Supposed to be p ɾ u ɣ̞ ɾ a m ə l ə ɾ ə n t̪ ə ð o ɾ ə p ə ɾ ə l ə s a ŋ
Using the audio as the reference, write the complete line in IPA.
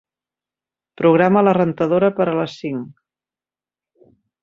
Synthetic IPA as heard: p ɾ u ɣ̞ ɾ a m ə l ə r ə n t̪ ə ð o ɾ ə p ə ɾ ə l ə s i ŋ